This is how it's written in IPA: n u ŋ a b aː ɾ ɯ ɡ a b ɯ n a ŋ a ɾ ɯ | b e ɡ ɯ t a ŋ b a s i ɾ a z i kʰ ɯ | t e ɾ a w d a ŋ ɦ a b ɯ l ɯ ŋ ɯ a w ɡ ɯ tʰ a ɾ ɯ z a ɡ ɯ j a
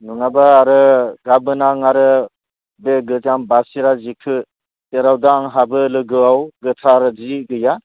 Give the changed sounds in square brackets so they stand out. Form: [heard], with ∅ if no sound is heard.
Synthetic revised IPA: n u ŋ a b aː ɾ ɯ ɡ a b ɯ n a ŋ a ɾ ɯ | b e ɡ ɯ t a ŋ b a s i ɾ a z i kʰ ɯ | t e ɾ a w d a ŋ ɦ a b ɯ l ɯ [ɡ] ɯ a w ɡ ɯ tʰ a ɾ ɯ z [i] ɡ ɯ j a